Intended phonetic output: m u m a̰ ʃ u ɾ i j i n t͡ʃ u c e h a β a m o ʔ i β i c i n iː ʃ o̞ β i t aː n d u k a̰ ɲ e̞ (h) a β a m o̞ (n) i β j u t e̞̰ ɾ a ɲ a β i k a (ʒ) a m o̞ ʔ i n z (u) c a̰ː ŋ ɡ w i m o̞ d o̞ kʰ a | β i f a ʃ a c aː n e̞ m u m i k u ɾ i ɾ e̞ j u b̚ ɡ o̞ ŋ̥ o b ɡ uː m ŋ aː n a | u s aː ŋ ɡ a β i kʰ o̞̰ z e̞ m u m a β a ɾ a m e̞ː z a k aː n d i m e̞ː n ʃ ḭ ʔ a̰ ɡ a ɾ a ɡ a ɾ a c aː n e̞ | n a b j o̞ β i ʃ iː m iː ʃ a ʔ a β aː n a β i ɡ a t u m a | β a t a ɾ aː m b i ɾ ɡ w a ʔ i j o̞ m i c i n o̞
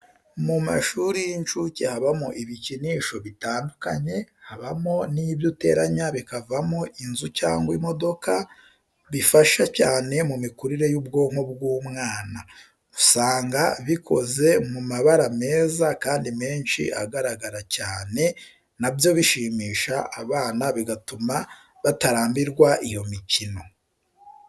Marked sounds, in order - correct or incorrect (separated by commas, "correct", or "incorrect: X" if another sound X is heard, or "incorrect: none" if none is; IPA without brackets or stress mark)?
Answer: correct, correct, incorrect: v, correct